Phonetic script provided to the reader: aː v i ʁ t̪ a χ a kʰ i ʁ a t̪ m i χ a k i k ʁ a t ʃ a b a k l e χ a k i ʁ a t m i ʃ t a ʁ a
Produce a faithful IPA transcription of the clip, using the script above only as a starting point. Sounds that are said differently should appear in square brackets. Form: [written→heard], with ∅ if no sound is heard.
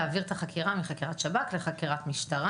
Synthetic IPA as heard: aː v i ʁ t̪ a χ a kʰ i ʁ a [t̪→∅] m i χ a k i [k→∅] ʁ a t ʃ a b a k l e χ a k i ʁ a t m i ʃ t a ʁ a